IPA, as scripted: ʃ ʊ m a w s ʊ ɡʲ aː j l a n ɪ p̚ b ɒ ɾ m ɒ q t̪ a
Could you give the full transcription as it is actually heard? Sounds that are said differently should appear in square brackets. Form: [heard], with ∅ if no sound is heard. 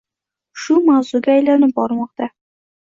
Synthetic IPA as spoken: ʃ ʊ m a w [z] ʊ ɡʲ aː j l a n ɪ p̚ b ɒ ɾ m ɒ q t̪ a